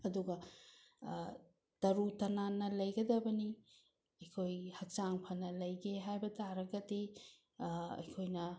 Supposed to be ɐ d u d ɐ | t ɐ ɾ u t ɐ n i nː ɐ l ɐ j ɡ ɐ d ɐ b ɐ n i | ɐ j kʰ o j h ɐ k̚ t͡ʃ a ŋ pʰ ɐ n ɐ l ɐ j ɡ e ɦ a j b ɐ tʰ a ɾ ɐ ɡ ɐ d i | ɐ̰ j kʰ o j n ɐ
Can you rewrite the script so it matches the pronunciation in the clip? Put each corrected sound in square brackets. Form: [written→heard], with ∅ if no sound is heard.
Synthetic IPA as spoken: ɐ d u [d→ɡ] ɐ | t ɐ ɾ u t ɐ n [i→a] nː ɐ l ɐ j ɡ ɐ d ɐ b ɐ n i | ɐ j kʰ o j h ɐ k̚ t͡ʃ a ŋ pʰ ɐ n ɐ l ɐ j ɡ e ɦ a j b ɐ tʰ a ɾ ɐ ɡ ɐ d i | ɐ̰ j kʰ o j n ɐ

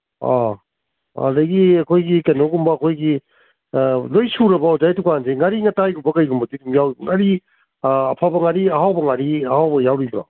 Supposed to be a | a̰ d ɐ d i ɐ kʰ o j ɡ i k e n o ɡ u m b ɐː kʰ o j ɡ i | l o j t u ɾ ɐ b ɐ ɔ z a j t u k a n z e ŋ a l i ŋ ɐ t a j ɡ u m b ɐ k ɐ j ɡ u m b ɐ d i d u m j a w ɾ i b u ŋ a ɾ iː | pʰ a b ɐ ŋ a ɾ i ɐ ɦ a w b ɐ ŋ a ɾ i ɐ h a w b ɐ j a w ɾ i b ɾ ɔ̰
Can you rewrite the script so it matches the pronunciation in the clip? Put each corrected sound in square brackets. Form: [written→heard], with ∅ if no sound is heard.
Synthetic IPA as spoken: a | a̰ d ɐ [d→ɡ] i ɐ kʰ o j ɡ i k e n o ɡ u m b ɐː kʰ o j ɡ i | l o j [t→s] u ɾ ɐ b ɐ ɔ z a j t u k a n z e ŋ a [l→ɾ] i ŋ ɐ t a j ɡ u m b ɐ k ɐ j ɡ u m b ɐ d i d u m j a w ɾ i b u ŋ a ɾ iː | pʰ a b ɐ ŋ a ɾ i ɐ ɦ a w b ɐ ŋ a ɾ i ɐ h a w b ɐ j a w ɾ i b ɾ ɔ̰

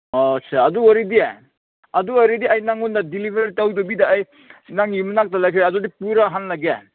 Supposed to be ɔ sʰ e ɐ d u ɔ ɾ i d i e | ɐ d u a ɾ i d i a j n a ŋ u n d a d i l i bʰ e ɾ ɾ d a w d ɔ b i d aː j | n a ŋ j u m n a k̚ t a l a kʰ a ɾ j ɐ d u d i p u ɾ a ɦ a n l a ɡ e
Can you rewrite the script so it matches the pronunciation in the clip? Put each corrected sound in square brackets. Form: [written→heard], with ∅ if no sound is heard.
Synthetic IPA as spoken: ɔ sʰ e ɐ d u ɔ ɾ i d i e | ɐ d u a ɾ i d i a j n a ŋ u n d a d i l i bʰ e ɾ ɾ [d→t] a w d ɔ b i d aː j | n a ŋ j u m n a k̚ t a l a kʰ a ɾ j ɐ d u d i p u ɾ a ɦ a n l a ɡ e

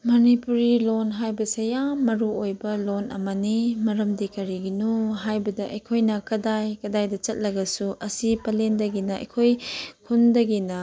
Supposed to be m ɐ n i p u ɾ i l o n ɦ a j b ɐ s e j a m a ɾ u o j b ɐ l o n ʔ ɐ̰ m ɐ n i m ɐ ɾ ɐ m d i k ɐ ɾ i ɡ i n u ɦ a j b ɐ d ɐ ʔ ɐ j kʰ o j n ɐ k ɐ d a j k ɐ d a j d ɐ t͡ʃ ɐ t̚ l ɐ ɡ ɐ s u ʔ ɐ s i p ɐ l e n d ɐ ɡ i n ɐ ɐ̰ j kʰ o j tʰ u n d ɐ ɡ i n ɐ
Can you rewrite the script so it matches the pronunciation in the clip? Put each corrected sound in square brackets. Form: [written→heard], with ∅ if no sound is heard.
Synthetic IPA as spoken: m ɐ n i p u ɾ i l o n ɦ a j b ɐ s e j a m [a→ɐ] ɾ u o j b ɐ l o n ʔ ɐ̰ m ɐ n i m ɐ ɾ ɐ m d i k ɐ ɾ i ɡ i n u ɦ a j b ɐ d ɐ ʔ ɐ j kʰ o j n ɐ k ɐ d a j k ɐ d a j d ɐ t͡ʃ ɐ t̚ l ɐ ɡ ɐ s u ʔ ɐ s i p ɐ l e n d ɐ ɡ i n ɐ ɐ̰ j kʰ o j [tʰ→kʰ] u n d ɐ ɡ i n ɐ

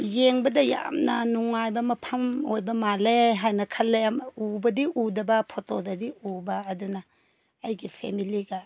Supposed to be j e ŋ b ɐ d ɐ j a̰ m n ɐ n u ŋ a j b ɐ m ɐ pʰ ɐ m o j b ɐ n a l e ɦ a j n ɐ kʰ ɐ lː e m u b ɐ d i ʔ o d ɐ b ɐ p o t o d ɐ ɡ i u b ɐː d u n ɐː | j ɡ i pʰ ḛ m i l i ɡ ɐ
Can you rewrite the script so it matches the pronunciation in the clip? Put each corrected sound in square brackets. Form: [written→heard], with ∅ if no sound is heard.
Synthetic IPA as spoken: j e ŋ b ɐ d ɐ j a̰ m n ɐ n u ŋ a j b ɐ m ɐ pʰ ɐ m o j b ɐ [n→m] a l e ɦ a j n ɐ kʰ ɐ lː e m u b ɐ d i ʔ [o→u] d ɐ b ɐ [p→pʰ] o t o d ɐ [ɡ→d] i u b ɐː d u n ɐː | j ɡ i pʰ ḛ m i l i ɡ ɐ

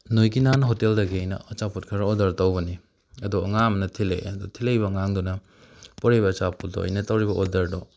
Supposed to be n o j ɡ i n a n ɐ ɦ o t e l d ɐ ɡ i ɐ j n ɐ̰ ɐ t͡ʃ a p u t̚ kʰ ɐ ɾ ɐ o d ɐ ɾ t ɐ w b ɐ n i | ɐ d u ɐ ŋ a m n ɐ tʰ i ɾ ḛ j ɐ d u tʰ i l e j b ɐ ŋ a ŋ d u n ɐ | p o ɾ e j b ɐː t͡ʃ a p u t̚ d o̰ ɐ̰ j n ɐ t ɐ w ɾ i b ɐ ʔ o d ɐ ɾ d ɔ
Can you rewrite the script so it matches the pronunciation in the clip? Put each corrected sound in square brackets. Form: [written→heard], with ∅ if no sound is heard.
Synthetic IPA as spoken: n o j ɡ i n a n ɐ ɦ o t e l d ɐ ɡ i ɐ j n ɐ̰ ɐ t͡ʃ a p u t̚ kʰ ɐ ɾ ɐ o d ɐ ɾ t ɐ w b ɐ n i | ɐ d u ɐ ŋ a m n ɐ tʰ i [ɾ→l] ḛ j ɐ d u tʰ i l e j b ɐ ŋ a ŋ d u n ɐ | p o ɾ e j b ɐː t͡ʃ a p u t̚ d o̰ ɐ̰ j n ɐ t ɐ w ɾ i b ɐ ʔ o d ɐ ɾ d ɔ

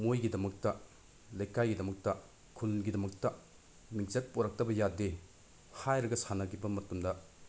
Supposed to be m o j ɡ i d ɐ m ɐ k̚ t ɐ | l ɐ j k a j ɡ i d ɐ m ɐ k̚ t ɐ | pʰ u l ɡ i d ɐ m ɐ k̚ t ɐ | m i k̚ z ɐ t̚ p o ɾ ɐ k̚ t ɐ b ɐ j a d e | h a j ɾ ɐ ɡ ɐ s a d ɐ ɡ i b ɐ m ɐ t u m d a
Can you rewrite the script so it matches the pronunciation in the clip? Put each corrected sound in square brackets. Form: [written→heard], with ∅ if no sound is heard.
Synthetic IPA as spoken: m o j ɡ i d ɐ m ɐ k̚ t ɐ | l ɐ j k a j ɡ i d ɐ m ɐ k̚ t ɐ | [pʰ→kʰ] u l ɡ i d ɐ m ɐ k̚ t ɐ | m i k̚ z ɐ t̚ p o ɾ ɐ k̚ t ɐ b ɐ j a d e | h a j ɾ ɐ ɡ ɐ s a [d→n] ɐ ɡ i b ɐ m ɐ t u m d [a→ɐ]

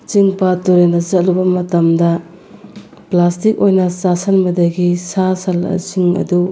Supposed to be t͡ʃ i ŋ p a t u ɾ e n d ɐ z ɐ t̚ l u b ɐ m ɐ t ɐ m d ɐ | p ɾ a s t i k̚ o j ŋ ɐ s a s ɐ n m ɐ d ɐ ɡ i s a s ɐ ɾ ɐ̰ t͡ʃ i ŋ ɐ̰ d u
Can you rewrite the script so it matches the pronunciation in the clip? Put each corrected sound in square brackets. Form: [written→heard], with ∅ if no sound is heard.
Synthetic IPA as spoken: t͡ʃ i ŋ p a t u ɾ e n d ɐ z ɐ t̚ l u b ɐ m ɐ t ɐ m d ɐ | p [ɾ→l] a s t i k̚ o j [ŋ→n] ɐ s a s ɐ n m ɐ d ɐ ɡ i s a s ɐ [ɾ→l] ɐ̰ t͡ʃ i ŋ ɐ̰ d u

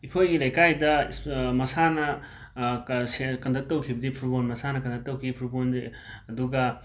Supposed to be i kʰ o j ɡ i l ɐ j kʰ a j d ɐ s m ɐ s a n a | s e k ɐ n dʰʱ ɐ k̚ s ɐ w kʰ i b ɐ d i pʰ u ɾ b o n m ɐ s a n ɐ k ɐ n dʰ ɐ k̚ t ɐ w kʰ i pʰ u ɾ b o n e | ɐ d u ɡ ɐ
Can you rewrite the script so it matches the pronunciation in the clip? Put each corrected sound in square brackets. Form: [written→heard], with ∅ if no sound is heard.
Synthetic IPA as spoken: i kʰ o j ɡ i l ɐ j [kʰ→k] a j d ɐ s m ɐ s a n [a→ɐ] | s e k ɐ n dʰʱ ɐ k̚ [s→t] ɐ w kʰ i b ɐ d i pʰ u ɾ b o n m ɐ s a n ɐ k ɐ n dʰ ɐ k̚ t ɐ w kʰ i pʰ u ɾ b o n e | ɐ d u ɡ ɐ

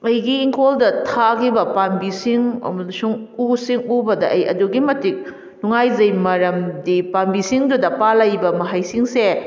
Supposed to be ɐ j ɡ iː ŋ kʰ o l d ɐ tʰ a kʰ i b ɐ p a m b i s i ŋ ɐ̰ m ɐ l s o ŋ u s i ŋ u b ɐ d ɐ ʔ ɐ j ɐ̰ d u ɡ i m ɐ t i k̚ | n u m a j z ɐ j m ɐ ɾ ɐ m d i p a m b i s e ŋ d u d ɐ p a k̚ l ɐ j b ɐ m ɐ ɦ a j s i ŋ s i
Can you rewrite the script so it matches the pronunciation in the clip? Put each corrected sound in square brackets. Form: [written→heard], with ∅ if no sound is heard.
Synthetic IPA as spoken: ɐ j ɡ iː ŋ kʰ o l d ɐ tʰ a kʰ i b ɐ p a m b i s i ŋ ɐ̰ m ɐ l s [o→u] ŋ u s i ŋ u b ɐ d ɐ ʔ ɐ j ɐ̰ d u ɡ i m ɐ t i k̚ | n u [m→ŋ] a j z ɐ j m ɐ ɾ ɐ m d i p a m b i s [e→i] ŋ d u d ɐ p a [k̚→∅] l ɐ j b ɐ m ɐ ɦ a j s i ŋ s [i→e]

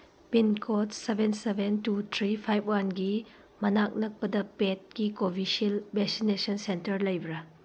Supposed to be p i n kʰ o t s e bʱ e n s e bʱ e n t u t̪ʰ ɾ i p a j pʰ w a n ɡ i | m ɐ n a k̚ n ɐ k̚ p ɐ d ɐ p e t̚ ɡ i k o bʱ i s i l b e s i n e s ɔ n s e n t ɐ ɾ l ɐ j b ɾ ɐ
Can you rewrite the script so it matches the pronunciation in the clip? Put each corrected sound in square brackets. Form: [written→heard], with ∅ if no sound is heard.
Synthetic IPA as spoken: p i n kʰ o t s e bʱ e n s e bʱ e n t u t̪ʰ ɾ i [p→pʰ] a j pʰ w a n ɡ i | m ɐ n a k̚ n ɐ k̚ p ɐ d ɐ p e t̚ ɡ i k o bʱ i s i l b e s i n e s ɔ n s e n t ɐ ɾ l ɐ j b ɾ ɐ

